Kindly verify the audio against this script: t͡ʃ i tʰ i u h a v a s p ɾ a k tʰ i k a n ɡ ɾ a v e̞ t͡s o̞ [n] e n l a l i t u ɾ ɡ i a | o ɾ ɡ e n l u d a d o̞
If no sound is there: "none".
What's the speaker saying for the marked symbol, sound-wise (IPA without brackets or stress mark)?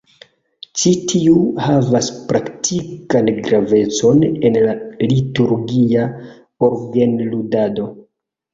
n